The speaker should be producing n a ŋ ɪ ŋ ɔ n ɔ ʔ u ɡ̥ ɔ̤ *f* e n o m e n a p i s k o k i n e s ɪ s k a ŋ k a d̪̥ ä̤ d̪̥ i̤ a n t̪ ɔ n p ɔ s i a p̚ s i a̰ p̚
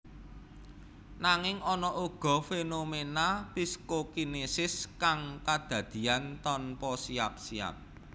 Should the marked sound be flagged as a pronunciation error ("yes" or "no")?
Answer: no